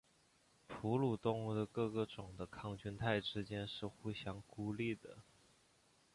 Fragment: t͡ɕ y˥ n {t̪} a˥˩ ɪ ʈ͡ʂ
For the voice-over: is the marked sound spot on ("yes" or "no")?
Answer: no